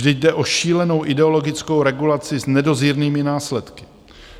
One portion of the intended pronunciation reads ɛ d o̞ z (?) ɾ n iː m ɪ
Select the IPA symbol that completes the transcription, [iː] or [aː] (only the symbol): iː